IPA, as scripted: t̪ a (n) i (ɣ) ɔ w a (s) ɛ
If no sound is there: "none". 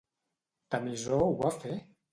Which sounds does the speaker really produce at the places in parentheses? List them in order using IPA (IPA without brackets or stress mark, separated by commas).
m, z, f